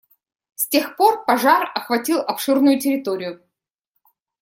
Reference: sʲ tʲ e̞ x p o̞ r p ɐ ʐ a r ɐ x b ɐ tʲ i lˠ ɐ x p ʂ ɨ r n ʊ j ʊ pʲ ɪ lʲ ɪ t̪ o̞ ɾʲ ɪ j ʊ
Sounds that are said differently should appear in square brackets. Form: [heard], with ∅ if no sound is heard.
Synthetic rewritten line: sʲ tʲ e̞ x p o̞ r p ɐ ʐ a r ɐ x [v] ɐ tʲ i lˠ ɐ [∅] p ʂ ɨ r n ʊ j ʊ [tʲ] ɪ [ɾʲ] ɪ t̪ o̞ ɾʲ ɪ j ʊ